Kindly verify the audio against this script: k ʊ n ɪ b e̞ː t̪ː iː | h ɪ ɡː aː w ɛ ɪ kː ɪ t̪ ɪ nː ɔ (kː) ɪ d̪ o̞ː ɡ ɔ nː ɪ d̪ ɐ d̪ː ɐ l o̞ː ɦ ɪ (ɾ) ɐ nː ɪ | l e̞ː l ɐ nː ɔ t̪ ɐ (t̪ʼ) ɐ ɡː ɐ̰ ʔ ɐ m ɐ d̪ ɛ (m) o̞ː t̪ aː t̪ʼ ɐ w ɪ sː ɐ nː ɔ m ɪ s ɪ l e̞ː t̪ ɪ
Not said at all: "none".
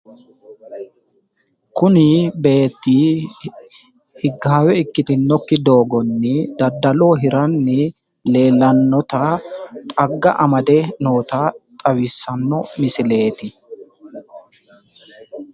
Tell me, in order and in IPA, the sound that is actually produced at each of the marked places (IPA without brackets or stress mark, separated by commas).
kː, ɾ, t̪ʼ, n